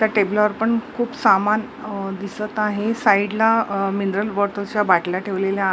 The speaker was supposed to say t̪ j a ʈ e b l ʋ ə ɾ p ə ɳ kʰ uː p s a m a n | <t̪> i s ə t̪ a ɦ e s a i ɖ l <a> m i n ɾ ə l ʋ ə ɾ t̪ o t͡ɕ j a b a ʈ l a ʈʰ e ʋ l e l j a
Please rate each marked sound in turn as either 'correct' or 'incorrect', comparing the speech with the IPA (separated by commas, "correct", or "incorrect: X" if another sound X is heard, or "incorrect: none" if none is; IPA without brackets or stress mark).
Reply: incorrect: d̪, correct